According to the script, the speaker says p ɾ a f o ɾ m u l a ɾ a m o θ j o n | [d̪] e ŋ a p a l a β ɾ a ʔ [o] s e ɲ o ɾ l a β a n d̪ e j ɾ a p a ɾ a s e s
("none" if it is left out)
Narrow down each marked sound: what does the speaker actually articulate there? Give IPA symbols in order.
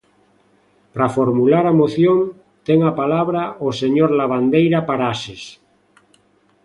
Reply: t̪, o

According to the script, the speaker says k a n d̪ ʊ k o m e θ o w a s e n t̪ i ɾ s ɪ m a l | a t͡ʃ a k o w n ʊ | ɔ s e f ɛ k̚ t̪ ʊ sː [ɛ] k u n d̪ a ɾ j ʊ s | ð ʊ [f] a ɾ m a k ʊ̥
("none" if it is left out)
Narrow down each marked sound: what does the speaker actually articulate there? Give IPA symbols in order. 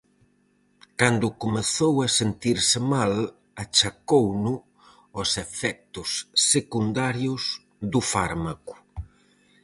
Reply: e, f

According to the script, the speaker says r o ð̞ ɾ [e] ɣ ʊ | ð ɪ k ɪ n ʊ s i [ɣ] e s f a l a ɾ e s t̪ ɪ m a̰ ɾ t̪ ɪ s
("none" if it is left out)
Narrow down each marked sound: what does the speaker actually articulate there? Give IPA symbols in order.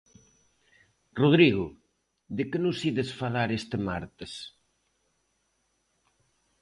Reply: i, ð

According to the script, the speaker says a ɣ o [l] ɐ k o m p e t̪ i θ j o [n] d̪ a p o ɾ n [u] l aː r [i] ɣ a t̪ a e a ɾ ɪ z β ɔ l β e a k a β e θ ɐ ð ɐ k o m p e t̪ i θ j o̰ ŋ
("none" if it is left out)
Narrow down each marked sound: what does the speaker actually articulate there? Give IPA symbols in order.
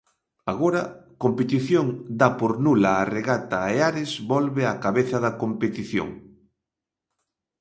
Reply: ɾ, ŋ, u, e

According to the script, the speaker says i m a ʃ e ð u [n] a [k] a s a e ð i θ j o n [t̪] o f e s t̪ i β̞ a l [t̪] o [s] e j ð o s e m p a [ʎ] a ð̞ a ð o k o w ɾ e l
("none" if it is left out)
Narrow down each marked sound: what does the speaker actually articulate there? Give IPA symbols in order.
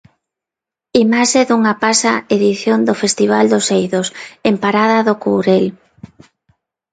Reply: ŋ, p, d̪, d̪, s, ɾ

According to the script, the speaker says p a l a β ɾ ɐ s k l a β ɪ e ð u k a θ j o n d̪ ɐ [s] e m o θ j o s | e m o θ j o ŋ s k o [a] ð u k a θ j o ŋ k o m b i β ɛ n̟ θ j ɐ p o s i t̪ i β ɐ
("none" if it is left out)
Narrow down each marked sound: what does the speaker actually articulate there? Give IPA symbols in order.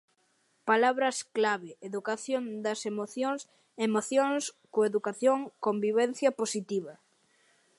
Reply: s, e

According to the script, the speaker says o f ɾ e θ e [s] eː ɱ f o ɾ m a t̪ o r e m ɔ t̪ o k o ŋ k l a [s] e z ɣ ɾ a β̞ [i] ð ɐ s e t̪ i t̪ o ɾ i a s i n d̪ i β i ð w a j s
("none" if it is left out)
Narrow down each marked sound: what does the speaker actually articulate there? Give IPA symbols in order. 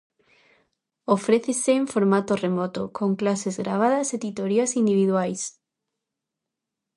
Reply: s, s, a

